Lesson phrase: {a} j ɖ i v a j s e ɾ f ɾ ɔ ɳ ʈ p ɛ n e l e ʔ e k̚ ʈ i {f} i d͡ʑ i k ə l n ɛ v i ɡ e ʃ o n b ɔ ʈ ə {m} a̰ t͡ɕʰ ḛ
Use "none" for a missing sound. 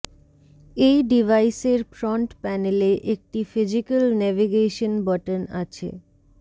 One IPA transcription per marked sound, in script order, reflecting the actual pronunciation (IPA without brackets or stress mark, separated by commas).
e, f, n